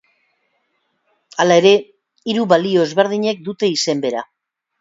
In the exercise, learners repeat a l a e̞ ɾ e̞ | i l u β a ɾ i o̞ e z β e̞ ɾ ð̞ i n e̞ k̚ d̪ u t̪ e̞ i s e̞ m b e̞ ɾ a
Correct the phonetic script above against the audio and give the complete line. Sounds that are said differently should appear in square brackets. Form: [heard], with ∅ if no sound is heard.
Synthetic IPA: a l a e̞ ɾ e̞ | i [ɾ] u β a [l] i o̞ e z β e̞ ɾ ð̞ i [ɲ] e̞ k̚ d̪ u t̪ e̞ i s e̞ m b e̞ ɾ a